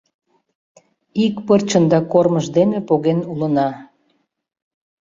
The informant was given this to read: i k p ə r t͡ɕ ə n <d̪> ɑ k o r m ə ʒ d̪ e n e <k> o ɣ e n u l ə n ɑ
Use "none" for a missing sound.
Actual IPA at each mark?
d̪, p

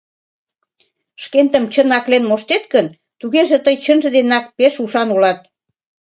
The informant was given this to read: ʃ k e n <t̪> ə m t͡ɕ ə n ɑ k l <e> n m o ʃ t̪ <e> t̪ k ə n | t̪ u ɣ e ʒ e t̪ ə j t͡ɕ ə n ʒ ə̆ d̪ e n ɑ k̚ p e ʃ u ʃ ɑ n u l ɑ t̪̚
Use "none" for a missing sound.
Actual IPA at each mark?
t̪, e, e

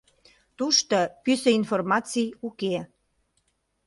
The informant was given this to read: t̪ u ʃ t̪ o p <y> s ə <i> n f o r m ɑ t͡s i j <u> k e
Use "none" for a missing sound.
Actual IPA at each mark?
y, i, u

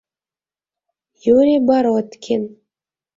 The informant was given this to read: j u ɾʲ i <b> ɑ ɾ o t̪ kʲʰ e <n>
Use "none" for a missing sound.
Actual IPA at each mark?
b, n

